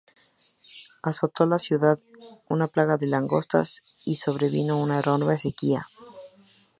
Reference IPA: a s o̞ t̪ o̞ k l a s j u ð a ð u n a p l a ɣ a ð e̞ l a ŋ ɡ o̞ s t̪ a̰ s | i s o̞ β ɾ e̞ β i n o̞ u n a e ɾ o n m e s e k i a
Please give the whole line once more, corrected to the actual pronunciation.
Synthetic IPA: a s o̞ t̪ o̞ l a s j u ð a ð u n a p l a ɣ a ð e̞ l a ŋ ɡ o̞ s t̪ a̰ s | i s o̞ β ɾ e̞ β i n o̞ u n a e ɾ o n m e s e k i a